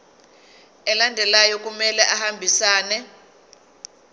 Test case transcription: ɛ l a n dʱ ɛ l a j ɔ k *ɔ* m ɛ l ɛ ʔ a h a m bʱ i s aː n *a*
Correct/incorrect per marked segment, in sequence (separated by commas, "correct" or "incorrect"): incorrect, incorrect